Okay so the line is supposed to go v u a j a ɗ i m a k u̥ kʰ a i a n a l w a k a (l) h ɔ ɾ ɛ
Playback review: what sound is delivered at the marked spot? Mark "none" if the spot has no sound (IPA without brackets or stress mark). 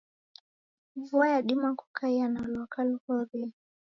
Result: l